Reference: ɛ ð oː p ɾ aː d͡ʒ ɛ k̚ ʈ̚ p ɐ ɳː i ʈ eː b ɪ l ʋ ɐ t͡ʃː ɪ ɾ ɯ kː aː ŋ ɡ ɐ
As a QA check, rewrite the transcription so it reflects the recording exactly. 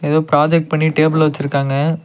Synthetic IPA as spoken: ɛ ð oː p ɾ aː d͡ʒ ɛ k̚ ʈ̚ p ɐ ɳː i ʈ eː b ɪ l ʋ ɐ t͡ʃː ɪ ɾ ɯ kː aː ŋ ɡ ɐ